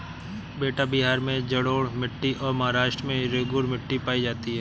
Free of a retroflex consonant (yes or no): no